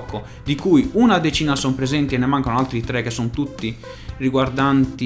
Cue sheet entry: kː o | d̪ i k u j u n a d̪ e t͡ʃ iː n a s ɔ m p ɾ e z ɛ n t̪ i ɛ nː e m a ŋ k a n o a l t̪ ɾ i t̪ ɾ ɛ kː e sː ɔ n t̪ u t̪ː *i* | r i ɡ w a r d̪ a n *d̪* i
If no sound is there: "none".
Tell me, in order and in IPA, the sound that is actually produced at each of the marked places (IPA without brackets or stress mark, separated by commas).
i, t̪